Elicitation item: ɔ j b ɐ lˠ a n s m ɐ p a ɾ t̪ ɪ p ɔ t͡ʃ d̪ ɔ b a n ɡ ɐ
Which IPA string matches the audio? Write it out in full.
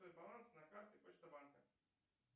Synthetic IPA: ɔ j b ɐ lˠ a n s n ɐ k a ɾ t̪ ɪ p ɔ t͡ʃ t̪ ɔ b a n k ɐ